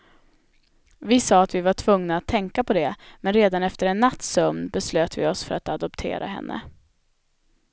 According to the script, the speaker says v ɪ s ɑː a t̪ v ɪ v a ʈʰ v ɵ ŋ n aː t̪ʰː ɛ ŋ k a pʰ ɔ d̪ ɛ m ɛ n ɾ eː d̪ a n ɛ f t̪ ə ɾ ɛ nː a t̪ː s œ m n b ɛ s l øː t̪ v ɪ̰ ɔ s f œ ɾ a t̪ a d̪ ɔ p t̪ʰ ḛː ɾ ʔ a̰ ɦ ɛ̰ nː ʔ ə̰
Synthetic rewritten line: v ɪ s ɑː a t̪ v ɪ v a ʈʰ v ɵ ŋ n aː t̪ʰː ɛ ŋ k a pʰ ɔ d̪ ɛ m ɛ n ɾ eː d̪ a n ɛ f t̪ ə ɾ ɛ nː a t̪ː s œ m n b ɛ s l øː t̪ v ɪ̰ ɔ s f œ ɾ a t̪ a d̪ ɔ p t̪ʰ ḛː ɾ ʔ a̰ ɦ ɛ̰ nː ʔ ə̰